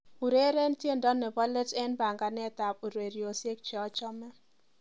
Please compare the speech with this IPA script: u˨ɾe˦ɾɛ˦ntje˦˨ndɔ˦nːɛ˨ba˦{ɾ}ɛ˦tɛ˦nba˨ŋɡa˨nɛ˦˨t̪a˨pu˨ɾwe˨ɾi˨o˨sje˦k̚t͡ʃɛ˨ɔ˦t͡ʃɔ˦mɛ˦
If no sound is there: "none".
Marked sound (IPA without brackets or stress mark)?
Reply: l